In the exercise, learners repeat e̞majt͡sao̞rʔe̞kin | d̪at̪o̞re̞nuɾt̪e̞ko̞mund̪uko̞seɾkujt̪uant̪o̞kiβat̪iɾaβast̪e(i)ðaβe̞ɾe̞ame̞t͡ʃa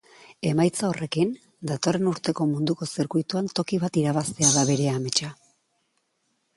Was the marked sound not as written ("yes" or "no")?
yes